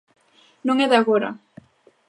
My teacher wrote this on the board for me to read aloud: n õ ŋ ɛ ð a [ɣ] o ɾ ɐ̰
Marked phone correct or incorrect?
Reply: correct